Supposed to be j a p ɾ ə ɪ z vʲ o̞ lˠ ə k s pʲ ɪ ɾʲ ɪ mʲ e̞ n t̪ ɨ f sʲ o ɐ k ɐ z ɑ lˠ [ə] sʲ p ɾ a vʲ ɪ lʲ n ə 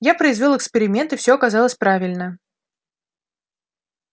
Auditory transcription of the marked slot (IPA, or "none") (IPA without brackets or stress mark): ə